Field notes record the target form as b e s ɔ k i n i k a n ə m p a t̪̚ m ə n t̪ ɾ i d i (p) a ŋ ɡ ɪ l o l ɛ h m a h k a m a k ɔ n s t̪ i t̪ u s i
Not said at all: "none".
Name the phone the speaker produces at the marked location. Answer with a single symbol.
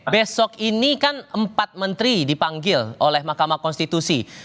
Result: p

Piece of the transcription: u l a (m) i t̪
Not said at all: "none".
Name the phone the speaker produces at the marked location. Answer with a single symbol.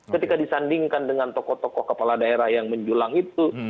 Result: ŋ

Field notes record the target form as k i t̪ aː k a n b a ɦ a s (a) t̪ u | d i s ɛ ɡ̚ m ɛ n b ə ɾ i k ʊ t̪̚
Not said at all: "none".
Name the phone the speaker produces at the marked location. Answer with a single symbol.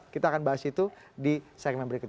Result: i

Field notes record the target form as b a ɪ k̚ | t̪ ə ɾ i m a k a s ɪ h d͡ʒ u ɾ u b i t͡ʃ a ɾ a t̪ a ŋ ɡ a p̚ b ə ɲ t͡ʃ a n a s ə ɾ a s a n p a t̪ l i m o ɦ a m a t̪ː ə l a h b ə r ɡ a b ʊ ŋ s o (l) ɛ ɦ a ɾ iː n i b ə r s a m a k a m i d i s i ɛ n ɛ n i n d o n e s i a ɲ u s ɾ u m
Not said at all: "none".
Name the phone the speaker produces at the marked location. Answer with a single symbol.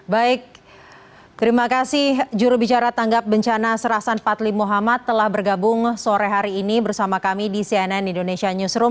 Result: ɾ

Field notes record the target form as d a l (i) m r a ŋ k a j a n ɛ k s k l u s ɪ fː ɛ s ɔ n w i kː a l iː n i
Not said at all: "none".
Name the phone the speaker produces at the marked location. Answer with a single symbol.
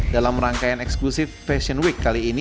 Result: a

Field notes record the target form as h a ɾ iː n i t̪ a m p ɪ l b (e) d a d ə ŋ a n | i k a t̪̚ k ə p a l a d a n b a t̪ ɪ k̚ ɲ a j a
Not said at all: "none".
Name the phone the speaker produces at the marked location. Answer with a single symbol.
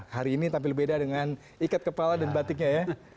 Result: e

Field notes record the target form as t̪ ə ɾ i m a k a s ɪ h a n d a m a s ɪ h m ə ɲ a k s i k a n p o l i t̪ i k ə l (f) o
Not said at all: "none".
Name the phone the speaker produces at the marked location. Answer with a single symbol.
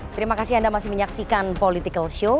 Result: ʃ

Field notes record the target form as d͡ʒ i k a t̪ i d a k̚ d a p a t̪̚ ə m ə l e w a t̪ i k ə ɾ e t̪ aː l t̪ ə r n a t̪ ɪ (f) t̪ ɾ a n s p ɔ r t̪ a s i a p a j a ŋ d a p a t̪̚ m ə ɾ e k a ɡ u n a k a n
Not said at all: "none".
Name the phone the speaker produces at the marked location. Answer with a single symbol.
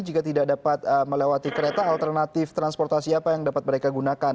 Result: f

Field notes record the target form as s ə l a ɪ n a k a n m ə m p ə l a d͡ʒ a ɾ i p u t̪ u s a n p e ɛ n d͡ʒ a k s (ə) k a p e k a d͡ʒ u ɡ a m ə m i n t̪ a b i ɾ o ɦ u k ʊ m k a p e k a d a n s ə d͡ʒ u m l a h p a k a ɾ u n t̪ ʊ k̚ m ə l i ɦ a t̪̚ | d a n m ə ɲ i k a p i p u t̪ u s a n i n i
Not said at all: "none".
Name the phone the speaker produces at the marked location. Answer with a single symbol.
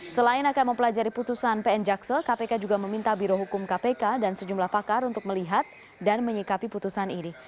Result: ə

